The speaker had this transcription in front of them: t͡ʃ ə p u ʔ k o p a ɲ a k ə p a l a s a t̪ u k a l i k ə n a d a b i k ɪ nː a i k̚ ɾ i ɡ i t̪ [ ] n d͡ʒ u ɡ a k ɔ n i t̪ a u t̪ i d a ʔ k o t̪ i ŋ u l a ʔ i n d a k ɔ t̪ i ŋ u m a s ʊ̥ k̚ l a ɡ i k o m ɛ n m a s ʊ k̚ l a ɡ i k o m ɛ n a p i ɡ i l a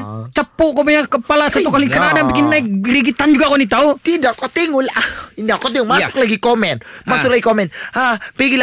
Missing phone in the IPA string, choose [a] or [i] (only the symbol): a